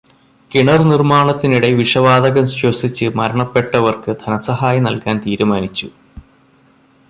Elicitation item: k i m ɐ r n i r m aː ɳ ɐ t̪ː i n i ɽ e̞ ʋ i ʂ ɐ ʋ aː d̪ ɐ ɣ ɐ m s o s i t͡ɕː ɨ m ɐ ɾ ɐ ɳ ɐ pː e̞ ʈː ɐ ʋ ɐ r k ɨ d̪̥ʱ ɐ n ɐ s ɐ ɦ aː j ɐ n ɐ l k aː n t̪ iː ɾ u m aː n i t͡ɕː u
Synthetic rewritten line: k i ɳ ɐ r n i r m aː ɳ ɐ t̪ː i n i ɽ e̞ ʋ i ʂ ɐ ʋ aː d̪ ɐ ɣ ɐ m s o s i t͡ɕː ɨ m ɐ ɾ ɐ ɳ ɐ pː e̞ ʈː ɐ ʋ ɐ r k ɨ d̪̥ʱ ɐ n ɐ s ɐ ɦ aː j ɐ n ɐ l k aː n t̪ iː ɾ u m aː n i t͡ɕː u